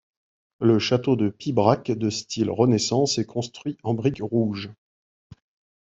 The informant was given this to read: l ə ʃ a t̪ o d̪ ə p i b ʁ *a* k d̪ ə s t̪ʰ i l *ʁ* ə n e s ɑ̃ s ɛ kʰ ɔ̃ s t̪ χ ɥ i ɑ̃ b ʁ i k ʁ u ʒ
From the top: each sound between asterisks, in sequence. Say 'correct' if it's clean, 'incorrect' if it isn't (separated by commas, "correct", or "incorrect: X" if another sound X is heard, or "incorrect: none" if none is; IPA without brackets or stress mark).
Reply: correct, correct